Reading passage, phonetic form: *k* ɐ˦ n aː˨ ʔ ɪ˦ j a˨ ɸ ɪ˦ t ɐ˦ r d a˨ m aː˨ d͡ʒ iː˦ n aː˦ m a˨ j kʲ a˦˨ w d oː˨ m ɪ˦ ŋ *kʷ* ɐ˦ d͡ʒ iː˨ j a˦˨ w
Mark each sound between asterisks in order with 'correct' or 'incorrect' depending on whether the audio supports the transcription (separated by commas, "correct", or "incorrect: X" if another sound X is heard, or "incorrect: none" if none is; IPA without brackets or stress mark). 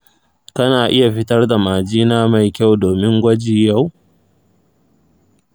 correct, incorrect: ɡʷ